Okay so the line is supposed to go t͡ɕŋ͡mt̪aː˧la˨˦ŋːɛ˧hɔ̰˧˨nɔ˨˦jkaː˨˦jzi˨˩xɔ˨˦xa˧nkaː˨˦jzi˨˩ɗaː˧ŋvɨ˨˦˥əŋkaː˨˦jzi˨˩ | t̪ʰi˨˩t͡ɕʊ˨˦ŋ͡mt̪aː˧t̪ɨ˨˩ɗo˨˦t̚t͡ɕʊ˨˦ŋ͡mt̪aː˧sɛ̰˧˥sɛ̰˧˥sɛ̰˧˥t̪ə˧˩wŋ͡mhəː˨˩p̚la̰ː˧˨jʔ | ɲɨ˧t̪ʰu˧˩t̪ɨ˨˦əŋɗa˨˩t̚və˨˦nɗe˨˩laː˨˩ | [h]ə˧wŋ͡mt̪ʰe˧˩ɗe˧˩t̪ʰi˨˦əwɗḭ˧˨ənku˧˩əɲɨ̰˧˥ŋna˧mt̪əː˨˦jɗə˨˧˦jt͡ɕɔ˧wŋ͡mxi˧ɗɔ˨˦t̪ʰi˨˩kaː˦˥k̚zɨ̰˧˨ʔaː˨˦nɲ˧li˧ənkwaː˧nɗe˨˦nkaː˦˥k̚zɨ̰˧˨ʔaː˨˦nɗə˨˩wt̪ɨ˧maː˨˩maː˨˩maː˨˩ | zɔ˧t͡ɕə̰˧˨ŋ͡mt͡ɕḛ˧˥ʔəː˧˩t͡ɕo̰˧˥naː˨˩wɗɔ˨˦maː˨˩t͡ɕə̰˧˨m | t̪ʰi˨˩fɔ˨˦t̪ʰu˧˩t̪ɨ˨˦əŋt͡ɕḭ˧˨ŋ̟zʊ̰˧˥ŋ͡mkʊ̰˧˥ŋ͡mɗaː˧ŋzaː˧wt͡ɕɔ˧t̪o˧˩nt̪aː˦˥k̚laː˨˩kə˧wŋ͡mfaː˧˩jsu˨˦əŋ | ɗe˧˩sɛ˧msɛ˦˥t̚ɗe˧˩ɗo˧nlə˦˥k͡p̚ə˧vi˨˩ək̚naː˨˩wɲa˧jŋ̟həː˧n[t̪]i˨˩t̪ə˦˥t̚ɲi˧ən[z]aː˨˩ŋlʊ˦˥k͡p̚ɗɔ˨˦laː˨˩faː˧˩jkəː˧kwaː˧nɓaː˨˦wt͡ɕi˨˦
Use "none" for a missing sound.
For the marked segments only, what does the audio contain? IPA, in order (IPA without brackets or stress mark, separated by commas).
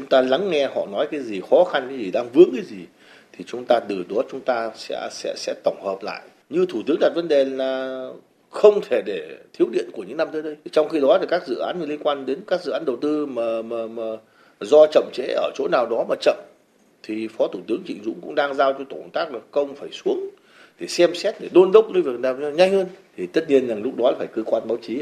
x, t̪ʰ, z